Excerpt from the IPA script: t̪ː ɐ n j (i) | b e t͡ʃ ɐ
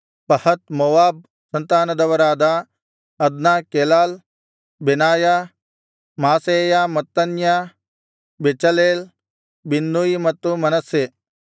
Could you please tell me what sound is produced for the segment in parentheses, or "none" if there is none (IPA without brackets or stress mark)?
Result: a